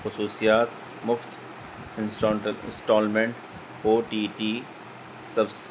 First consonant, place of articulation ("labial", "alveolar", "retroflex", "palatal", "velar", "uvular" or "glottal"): velar